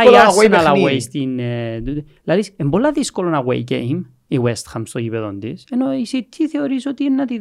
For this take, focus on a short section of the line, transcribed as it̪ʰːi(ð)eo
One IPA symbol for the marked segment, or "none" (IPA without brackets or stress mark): θ